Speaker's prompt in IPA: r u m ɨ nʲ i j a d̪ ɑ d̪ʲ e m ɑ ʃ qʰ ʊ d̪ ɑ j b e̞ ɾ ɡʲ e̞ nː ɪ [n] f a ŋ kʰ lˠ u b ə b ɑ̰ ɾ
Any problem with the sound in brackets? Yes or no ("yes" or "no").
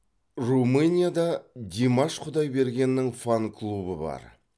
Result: yes